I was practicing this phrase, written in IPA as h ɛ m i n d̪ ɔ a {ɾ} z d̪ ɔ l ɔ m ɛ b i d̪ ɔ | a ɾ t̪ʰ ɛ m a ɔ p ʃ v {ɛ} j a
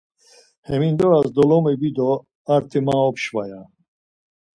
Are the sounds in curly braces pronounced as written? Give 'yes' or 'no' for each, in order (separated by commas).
no, no